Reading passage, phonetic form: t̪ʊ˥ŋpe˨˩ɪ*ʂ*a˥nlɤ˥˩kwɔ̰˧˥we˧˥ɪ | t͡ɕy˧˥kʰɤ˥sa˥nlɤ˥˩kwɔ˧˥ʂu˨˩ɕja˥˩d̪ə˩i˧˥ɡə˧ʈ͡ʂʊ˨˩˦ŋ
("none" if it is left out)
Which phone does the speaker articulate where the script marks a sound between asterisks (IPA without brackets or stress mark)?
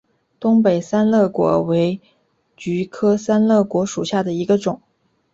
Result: s